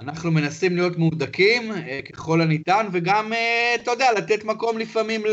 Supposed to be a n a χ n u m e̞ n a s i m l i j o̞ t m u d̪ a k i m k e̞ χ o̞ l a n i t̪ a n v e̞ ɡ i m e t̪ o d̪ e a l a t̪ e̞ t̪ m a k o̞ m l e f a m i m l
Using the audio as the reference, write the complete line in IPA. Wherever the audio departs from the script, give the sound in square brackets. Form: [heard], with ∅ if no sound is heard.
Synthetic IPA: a n a χ n u m e̞ n a s i m l i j o̞ t m u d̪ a k i m k e̞ χ o̞ l a n i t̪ a n v e̞ ɡ [a] m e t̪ o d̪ e a l a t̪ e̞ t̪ m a k o̞ m l [i] f a m i m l